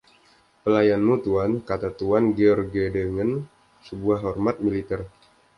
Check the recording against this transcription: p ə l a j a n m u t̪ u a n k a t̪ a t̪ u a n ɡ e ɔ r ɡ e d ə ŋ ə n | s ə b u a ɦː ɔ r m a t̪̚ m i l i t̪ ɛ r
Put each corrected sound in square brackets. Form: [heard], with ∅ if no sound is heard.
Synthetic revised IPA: p ə l a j a n m u t̪ u a n k a t̪ a t̪ u a n ɡ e ɔ r ɡ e d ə ŋ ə n | s ə b u a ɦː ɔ r m a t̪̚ m i l i t̪ ɛ r